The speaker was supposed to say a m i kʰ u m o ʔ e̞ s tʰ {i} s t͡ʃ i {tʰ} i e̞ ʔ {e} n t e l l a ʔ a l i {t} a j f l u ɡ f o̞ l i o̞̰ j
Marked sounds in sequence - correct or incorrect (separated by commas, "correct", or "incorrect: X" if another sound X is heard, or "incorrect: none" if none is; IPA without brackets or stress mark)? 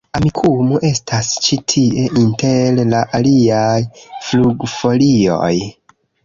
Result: incorrect: a, correct, incorrect: i, incorrect: none